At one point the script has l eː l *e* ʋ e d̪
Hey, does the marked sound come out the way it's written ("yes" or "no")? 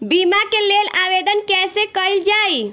no